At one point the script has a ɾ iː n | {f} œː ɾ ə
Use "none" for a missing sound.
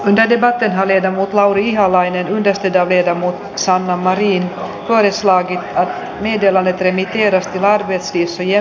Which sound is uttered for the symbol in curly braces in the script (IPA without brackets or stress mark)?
f